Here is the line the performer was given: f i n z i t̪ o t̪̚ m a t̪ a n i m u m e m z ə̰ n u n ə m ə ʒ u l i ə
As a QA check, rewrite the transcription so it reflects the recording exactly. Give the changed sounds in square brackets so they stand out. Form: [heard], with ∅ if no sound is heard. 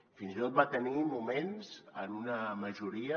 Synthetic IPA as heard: f i n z i t̪ o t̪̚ [b] a t̪ [ə] n i m u m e [n] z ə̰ n u n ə m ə ʒ u [ɾ] i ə